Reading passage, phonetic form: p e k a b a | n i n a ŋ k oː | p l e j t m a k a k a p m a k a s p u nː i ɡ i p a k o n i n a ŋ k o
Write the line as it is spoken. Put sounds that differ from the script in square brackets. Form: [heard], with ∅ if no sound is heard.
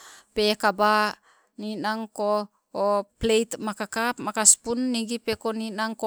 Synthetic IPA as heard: p e k a b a | n i n a ŋ k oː | p l e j t m a k a k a p m a k a s p u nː i ɡ i p [e] k o n i n a ŋ k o